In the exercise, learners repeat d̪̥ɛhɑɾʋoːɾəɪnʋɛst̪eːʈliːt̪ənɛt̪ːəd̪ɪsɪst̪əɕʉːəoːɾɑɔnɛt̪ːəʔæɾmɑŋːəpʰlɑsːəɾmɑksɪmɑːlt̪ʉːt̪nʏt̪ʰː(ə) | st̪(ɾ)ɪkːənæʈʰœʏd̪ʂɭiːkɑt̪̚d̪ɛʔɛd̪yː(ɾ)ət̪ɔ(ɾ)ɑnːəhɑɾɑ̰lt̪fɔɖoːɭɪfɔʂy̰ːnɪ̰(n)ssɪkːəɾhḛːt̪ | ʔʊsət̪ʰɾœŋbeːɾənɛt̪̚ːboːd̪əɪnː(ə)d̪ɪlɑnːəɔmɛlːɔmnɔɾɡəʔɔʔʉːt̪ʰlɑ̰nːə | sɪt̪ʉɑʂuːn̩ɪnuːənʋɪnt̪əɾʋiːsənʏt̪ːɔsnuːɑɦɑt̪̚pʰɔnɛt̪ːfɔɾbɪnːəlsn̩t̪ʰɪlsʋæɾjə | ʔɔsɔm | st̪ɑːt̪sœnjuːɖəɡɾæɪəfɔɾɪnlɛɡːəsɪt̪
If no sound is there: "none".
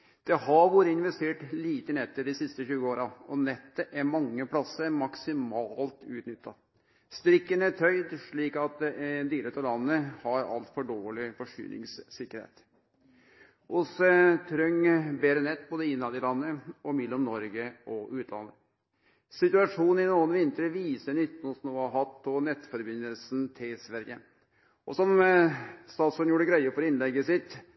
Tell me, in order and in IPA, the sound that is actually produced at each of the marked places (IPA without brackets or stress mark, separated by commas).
ɑ, ɾ, ɾ, l, ŋ, ɑ